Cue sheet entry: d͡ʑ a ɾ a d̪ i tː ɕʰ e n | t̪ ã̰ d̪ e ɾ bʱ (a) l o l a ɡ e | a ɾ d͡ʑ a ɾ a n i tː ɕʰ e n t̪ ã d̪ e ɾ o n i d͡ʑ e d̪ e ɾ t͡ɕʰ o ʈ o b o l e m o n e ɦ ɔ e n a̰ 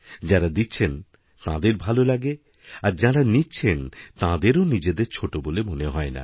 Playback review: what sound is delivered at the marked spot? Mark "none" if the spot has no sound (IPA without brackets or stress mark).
a